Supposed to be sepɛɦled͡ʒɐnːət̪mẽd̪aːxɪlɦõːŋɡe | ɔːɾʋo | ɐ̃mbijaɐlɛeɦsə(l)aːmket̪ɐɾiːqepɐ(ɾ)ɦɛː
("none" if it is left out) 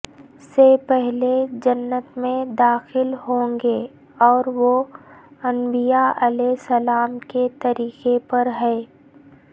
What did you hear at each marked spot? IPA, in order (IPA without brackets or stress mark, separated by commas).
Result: l, ɾ